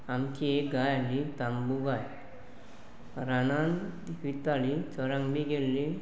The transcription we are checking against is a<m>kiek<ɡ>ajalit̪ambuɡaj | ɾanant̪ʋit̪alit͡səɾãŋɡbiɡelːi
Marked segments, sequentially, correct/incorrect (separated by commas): correct, correct